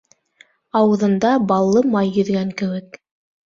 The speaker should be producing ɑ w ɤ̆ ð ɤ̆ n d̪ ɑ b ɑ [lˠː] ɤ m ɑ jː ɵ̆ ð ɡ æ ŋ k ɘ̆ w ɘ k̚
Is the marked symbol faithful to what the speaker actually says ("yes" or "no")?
yes